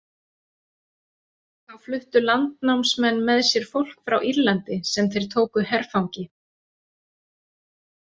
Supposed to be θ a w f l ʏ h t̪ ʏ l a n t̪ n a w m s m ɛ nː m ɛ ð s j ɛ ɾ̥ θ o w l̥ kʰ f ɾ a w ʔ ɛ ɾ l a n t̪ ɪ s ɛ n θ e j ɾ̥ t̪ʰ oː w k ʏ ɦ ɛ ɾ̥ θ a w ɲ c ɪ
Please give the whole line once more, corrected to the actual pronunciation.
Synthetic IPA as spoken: θ a w f l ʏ h t̪ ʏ l a n t̪ n a w m s m ɛ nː m ɛ ð s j ɛ ɾ̥ f o w l̥ k f ɾ a w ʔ i ɾ l a n t̪ ɪ s ɛ m θ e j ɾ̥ t̪ʰ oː w k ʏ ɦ ɛ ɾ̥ f a w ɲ c ɪ